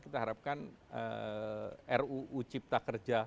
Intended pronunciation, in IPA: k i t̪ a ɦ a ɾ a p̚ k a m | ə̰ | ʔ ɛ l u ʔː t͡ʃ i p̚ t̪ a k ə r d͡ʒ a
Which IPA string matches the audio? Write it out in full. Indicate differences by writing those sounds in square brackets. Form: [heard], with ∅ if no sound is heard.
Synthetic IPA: k i t̪ a ɦ a ɾ a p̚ k a [n] | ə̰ | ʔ ɛ [r] u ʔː t͡ʃ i p̚ t̪ a k ə r d͡ʒ a